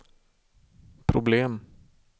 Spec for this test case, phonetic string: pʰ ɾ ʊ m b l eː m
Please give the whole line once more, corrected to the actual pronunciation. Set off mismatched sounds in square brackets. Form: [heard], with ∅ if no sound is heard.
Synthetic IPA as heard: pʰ ɾ ʊ [∅] b l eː m